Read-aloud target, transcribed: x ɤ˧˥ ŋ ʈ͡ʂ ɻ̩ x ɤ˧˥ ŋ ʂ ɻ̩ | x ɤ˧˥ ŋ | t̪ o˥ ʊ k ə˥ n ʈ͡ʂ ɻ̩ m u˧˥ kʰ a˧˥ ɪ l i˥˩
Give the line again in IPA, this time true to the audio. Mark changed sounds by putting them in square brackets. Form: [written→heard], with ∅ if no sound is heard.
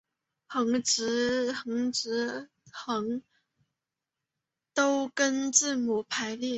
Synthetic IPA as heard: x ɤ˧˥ ŋ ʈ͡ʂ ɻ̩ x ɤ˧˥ ŋ [ʂ→ʈ͡ʂ] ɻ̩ | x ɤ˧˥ ŋ | t̪ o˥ ʊ k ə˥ n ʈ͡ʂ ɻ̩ m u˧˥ [kʰ→pʰ] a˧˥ ɪ l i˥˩